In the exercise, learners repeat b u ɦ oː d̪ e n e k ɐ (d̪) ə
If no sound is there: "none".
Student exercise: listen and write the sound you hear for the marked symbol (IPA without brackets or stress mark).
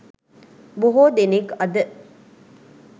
d̪